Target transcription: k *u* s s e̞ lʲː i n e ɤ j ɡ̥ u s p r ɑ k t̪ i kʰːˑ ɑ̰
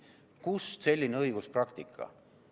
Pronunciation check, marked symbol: correct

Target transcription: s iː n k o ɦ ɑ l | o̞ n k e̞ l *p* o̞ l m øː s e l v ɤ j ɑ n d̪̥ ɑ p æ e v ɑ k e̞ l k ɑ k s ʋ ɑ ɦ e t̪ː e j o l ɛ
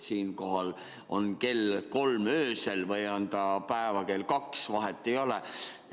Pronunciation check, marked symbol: incorrect: k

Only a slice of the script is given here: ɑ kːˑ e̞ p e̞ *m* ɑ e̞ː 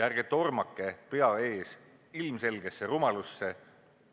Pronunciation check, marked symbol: incorrect: none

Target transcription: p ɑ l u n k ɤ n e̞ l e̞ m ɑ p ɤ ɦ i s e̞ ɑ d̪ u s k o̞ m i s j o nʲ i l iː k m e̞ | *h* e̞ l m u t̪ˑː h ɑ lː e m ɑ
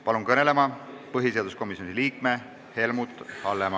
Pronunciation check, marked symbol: correct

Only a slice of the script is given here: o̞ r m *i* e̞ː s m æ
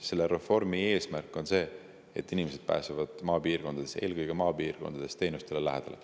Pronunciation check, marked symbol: correct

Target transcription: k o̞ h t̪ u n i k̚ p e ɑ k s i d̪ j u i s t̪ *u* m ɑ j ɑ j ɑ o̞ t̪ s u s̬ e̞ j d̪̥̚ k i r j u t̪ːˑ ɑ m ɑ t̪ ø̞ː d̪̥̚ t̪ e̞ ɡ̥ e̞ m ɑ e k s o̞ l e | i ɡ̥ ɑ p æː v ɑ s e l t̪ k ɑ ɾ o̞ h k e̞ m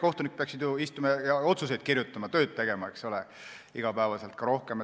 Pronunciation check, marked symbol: correct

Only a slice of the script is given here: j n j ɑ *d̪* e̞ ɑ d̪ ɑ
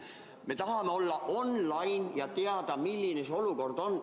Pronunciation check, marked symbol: incorrect: t̪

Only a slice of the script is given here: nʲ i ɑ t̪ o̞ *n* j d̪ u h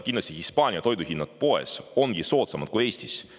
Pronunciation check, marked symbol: incorrect: none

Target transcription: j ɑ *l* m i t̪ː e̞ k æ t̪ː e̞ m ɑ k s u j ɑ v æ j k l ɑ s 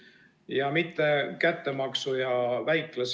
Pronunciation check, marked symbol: incorrect: none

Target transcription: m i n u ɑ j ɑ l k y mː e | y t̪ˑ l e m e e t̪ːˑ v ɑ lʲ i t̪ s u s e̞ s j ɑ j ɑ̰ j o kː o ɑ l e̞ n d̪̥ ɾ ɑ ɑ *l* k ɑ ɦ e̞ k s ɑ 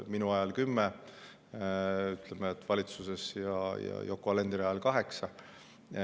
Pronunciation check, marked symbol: correct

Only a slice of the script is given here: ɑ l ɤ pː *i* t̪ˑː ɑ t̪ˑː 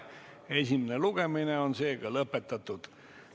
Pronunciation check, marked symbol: incorrect: e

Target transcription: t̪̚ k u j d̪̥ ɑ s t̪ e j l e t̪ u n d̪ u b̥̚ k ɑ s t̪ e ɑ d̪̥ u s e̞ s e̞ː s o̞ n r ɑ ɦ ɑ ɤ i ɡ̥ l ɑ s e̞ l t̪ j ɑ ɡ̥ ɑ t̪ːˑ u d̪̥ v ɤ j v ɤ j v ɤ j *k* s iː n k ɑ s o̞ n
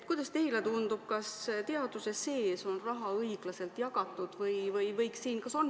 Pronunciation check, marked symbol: correct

